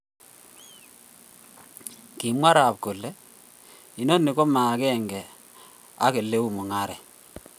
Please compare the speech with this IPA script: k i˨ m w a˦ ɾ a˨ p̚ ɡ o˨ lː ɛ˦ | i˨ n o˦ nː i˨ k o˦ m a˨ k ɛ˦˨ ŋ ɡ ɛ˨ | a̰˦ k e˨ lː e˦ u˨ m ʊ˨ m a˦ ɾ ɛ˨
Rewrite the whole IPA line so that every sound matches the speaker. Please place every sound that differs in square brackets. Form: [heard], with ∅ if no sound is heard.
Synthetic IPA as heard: k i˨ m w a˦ ɾ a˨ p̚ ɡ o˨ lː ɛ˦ | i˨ n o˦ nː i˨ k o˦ m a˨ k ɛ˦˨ ŋ ɡ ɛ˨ | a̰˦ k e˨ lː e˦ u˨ m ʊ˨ [ŋ] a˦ ɾ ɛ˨

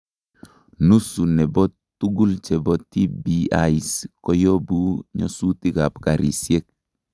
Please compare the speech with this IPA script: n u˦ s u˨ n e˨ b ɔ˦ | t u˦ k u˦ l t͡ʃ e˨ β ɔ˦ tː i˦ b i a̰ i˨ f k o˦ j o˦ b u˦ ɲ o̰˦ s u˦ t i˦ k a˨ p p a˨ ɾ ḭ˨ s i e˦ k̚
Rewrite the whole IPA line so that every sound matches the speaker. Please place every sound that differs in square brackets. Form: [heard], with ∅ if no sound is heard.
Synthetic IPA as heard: n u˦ s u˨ n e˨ b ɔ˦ | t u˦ [ɡ] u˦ l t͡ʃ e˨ [b] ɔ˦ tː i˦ b i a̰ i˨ [s] k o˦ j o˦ b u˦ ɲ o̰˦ s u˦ t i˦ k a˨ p [k] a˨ ɾ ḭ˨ s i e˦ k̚

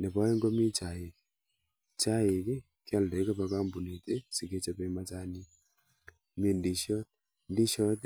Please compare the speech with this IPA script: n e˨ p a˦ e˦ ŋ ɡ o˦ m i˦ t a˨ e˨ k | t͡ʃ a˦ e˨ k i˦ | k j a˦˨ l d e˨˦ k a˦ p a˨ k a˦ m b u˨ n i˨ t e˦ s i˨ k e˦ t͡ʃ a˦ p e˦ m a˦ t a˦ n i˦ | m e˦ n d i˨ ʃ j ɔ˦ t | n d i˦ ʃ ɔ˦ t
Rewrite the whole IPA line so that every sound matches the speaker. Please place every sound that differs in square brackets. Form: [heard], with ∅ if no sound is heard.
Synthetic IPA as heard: n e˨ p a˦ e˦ ŋ ɡ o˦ m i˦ [t͡ʃ] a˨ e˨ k | t͡ʃ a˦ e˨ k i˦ | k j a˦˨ l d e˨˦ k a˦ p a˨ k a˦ m b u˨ n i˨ t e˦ s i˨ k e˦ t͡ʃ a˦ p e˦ m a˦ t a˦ n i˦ | m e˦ n d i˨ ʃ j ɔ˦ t | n d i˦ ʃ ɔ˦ t

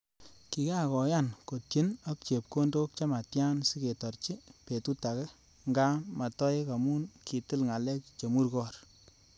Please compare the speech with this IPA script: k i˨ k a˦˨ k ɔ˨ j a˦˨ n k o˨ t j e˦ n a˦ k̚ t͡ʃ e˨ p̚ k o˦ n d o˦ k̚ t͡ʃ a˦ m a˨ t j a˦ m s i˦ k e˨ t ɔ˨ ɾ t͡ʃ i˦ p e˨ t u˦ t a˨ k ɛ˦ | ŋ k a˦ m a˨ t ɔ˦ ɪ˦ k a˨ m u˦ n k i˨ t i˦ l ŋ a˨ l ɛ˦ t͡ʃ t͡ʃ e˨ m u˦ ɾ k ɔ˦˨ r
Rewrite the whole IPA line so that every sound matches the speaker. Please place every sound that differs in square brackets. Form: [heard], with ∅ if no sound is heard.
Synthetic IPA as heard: k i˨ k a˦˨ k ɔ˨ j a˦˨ n k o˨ t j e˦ n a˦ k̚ t͡ʃ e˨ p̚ k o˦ n d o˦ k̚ t͡ʃ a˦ m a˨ t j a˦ [n] s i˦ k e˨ t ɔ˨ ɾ t͡ʃ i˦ p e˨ t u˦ t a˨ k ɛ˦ | ŋ [ɡ] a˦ m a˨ t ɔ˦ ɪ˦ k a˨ m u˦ n k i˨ t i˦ l ŋ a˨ l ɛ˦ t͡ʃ t͡ʃ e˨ m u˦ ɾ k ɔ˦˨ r

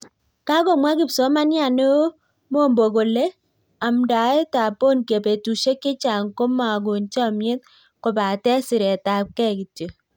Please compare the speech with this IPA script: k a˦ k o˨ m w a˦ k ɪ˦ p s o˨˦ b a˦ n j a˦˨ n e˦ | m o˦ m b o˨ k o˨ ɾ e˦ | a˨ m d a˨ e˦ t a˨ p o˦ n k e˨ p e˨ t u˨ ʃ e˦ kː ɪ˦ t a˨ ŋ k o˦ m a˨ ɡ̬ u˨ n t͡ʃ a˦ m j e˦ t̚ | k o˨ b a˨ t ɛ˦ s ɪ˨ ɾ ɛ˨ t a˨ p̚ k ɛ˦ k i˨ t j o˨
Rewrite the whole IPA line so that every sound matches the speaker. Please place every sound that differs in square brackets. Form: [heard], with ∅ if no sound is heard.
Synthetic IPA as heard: k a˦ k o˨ m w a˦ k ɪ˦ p s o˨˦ [m] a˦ n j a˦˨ n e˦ | m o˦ m b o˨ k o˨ [l] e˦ | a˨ m d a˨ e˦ t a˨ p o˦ n k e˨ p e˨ t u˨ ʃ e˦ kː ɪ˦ [t͡ʃ] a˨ ŋ k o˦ m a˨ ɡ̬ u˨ n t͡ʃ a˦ m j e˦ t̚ | k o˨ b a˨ t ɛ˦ s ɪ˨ ɾ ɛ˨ t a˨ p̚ k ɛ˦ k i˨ t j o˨

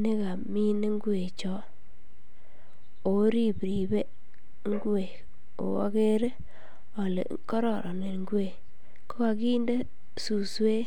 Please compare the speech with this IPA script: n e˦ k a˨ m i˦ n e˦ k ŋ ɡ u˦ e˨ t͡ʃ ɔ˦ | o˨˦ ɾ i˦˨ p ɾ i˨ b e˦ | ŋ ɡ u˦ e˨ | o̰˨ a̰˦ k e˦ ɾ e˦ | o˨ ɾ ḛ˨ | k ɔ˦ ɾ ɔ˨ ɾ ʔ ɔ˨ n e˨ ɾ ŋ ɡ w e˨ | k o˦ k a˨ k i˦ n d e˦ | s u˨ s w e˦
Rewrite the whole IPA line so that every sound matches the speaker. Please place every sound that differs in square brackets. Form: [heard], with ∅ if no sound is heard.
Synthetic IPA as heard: n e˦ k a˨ m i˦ n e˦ [∅] ŋ ɡ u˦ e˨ t͡ʃ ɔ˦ | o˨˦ ɾ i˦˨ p ɾ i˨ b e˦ | ŋ ɡ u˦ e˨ | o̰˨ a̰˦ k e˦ ɾ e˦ | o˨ [l] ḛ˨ | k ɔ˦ ɾ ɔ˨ ɾ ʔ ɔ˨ n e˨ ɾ ŋ ɡ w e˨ | k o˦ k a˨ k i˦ n d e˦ | s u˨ s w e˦

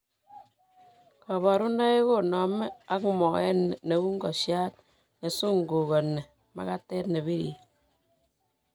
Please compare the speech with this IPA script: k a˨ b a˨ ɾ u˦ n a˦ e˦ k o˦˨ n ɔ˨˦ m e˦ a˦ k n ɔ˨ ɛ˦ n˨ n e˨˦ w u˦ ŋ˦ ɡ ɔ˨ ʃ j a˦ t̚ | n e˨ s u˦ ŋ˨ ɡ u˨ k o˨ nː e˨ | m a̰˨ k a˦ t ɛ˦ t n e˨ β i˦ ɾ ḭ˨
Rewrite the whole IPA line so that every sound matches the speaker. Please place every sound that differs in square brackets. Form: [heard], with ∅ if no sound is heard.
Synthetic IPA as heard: k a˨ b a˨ ɾ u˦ n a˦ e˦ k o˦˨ n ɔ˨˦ m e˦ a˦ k [m] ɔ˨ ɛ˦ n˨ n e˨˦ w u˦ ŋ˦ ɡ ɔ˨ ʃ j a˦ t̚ | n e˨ s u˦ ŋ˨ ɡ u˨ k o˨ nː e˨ | m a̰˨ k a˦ t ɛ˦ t n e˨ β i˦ ɾ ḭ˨

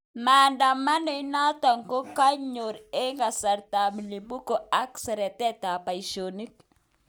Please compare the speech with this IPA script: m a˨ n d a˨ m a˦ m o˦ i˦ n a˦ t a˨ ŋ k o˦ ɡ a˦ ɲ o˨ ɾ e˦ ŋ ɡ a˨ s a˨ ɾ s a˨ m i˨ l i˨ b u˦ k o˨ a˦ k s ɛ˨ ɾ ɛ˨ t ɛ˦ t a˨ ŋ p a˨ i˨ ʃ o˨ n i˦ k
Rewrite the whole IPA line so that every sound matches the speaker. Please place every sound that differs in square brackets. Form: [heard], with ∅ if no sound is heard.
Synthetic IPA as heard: m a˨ n d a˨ m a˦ [n] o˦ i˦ n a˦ t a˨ ŋ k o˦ [k] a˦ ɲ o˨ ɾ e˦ ŋ ɡ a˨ s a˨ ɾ [t] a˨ m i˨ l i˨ b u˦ k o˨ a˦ k s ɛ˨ ɾ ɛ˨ t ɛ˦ t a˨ [∅] p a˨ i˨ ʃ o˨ n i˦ k

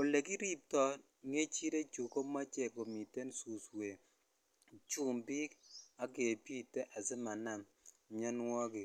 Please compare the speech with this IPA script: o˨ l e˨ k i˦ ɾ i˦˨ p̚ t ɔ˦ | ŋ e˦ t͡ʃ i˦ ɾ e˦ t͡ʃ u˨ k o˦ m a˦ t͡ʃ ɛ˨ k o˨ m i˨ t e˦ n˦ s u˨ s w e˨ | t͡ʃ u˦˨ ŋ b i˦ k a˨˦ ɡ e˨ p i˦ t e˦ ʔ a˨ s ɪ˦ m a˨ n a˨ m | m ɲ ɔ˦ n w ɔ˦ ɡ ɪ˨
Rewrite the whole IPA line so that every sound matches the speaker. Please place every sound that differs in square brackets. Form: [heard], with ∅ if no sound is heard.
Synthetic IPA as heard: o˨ l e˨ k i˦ ɾ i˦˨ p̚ t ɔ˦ | ŋ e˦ t͡ʃ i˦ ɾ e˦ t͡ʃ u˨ k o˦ m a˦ t͡ʃ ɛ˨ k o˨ m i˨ t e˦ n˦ s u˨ s w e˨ | t͡ʃ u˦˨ [m] b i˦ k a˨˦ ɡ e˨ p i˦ t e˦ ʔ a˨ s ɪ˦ m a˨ n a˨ m | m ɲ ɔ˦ n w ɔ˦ ɡ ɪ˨

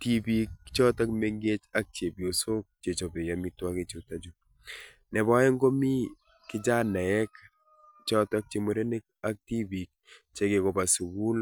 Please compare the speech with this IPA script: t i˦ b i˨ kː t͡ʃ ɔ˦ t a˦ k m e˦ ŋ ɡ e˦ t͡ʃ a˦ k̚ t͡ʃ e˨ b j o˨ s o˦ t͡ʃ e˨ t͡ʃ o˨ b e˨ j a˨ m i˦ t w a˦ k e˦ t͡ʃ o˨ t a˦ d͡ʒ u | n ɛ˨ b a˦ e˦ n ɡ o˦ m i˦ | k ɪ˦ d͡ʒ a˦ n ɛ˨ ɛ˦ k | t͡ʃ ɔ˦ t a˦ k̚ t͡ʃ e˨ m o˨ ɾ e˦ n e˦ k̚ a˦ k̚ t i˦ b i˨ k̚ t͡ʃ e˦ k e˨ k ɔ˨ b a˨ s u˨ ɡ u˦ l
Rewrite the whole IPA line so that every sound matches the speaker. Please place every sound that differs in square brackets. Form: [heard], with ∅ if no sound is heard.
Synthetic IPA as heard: t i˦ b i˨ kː t͡ʃ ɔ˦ t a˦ k m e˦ ŋ ɡ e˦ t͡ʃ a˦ k̚ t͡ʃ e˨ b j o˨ s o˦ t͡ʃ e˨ t͡ʃ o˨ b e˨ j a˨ m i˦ t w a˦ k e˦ t͡ʃ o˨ t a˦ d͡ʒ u | n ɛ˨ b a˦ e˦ [ŋ] ɡ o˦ m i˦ | k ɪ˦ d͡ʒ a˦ n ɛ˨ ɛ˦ k | t͡ʃ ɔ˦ t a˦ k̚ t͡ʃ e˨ m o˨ ɾ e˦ n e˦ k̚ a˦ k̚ t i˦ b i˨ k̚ t͡ʃ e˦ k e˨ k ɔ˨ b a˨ s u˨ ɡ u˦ l

